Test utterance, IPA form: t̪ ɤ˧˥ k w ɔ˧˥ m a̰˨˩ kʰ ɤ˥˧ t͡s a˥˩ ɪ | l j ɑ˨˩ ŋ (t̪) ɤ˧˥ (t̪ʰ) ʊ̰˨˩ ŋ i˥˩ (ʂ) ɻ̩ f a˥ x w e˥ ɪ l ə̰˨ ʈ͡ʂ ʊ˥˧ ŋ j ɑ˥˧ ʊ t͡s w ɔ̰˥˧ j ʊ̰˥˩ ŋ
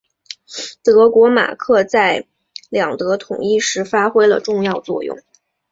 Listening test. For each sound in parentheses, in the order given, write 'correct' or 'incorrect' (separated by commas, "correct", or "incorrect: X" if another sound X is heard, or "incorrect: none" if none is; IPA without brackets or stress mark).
correct, correct, correct